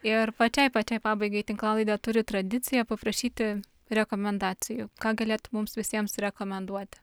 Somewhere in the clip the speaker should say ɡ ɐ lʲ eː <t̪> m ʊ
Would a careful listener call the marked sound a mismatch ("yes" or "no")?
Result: no